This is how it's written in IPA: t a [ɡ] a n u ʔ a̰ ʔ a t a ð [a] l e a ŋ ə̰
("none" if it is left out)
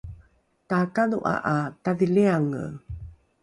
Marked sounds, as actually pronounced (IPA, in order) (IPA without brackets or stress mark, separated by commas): k, i